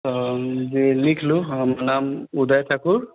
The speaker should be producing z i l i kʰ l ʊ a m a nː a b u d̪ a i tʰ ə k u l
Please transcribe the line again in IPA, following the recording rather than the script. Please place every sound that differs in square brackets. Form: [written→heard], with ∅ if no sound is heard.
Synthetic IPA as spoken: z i l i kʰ l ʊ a m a [nː→n] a [b→m] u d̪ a [i→j] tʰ [ə→a] k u [l→ɹ]